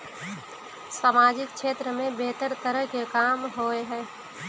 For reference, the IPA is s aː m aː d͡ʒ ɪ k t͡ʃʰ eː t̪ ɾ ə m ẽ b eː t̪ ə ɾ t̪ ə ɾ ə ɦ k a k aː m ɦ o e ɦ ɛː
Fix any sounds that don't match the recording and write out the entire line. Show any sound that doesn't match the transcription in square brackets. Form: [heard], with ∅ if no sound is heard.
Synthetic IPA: s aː m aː d͡ʒ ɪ k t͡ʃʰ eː t̪ ɾ ə m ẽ b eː t̪ ə ɾ t̪ ə ɾ ə ɦ k [e] k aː m ɦ o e ɦ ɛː